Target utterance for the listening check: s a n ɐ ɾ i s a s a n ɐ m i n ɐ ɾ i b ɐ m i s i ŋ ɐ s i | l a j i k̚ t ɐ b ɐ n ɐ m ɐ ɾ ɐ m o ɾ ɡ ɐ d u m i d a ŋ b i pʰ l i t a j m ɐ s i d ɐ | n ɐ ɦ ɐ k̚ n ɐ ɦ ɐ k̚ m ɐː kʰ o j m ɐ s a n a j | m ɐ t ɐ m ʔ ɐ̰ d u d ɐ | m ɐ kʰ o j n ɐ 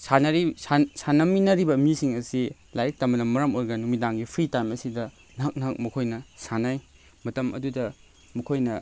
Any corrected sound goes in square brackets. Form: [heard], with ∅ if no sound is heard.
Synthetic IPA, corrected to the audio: s a n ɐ ɾ i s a s a n ɐ m i n ɐ ɾ i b ɐ m i s i ŋ ɐ s i | l a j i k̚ t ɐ [m] ɐ n ɐ m ɐ ɾ ɐ m o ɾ ɡ ɐ [n] u m i d a ŋ [ɡ] i pʰ [ɾ] i t a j m ɐ s i d ɐ | n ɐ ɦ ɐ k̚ n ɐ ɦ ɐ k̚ m [ɐ] kʰ o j [n] ɐ s a n a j | m ɐ t ɐ m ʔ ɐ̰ d u d ɐ | m ɐ kʰ o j n ɐ

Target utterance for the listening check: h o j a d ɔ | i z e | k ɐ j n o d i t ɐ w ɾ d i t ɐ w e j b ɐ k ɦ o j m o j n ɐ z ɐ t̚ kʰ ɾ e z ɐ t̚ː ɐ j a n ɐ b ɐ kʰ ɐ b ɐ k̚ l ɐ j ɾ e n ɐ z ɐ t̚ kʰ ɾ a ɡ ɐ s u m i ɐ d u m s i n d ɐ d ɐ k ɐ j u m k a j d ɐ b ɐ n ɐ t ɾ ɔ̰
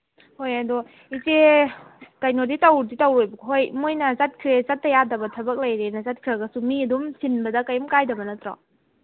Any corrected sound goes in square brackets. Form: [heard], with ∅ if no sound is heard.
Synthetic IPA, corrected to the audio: h o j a d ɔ | i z e | k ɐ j n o d i t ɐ w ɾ d i t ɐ w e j b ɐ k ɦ o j m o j n ɐ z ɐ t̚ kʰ ɾ e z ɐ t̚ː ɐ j a [d] ɐ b ɐ [tʰ] ɐ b ɐ k̚ l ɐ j ɾ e n ɐ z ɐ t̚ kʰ ɾ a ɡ ɐ s u m i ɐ d u m s i n [b] ɐ d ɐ k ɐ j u m k a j d ɐ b ɐ n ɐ t ɾ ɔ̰

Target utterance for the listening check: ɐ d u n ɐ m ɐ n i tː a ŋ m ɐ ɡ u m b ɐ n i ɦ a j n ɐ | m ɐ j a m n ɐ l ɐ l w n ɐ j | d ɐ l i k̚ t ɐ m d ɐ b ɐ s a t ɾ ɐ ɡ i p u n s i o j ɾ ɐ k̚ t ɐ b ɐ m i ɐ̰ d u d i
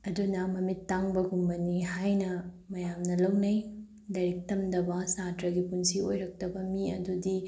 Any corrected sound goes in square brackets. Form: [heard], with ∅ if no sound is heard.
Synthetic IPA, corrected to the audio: ɐ d u n ɐ m ɐ [m] i tː a ŋ [b] ɐ ɡ u m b ɐ n i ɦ a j n ɐ | m ɐ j a m n ɐ l ɐ [∅] w n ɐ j | d ɐ [ɾ] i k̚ t ɐ m d ɐ b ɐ s a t ɾ ɐ ɡ i p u n s i o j ɾ ɐ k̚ t ɐ b ɐ m i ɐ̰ d u d i

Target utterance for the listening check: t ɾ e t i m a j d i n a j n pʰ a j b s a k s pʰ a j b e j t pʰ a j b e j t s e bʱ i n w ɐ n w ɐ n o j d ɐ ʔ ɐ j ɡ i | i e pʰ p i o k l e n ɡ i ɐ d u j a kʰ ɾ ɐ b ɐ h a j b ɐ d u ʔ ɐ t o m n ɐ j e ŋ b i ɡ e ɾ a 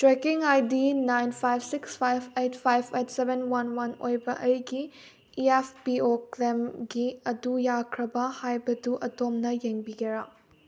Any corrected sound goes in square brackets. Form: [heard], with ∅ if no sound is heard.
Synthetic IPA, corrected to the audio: t ɾ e [k] i [ŋ] a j d i n a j n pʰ a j b s [i] k s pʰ a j b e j t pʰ a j b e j t s e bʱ [e] n w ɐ n w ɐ n o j [b] ɐ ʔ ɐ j ɡ i | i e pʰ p i o k l e [m] ɡ i ɐ d u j a kʰ ɾ ɐ b ɐ h a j b ɐ d u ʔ ɐ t o m n ɐ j e ŋ b i ɡ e ɾ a

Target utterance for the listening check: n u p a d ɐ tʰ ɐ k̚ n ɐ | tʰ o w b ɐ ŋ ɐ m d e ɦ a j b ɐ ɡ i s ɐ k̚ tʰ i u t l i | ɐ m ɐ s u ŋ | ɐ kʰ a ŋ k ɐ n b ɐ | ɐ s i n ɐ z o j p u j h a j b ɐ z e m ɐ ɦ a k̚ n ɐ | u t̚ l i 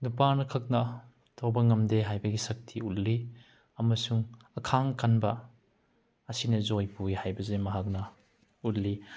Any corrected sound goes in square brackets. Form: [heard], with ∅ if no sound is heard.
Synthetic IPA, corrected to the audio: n u p a [n] ɐ [kʰ] ɐ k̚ n ɐ | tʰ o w b ɐ ŋ ɐ m d e ɦ a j b ɐ ɡ i s ɐ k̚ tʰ i u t l i | ɐ m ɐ s u ŋ | ɐ kʰ a ŋ k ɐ n b ɐ | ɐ s i n ɐ z o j p u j h a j b ɐ z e m ɐ ɦ a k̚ n ɐ | u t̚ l i

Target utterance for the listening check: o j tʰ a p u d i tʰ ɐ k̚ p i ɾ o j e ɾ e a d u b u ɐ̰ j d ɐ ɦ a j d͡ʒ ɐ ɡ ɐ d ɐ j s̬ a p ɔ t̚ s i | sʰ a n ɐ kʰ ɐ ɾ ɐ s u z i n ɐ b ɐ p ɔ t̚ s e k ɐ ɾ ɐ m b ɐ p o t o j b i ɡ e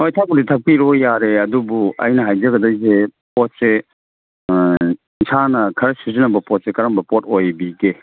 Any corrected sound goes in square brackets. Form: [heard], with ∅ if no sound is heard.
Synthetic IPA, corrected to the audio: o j tʰ a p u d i tʰ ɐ k̚ p i ɾ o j [a] ɾ e [ɐ] d u b u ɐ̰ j [n] ɐ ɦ a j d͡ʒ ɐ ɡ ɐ d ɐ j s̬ [e] p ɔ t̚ s [e] | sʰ a n ɐ kʰ ɐ ɾ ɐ s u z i n ɐ b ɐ p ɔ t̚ s e k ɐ ɾ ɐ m b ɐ p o t o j b i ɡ e

